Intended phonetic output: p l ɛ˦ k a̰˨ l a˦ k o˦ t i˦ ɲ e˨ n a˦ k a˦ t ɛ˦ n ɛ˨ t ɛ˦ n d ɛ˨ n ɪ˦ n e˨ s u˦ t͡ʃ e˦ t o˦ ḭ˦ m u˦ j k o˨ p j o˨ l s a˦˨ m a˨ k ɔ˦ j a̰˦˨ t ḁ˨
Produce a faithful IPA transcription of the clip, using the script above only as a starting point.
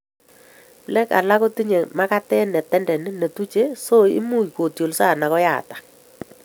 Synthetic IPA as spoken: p l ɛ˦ k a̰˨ l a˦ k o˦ t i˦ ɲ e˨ m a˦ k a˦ t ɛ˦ n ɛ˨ t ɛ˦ n d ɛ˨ n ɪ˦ n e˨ t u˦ t͡ʃ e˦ s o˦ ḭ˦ m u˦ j k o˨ t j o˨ l s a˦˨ n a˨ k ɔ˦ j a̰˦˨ t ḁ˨